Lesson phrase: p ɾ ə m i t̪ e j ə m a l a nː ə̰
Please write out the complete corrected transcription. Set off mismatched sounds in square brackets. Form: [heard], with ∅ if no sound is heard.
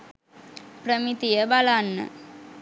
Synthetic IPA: p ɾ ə m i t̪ [i] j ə [b] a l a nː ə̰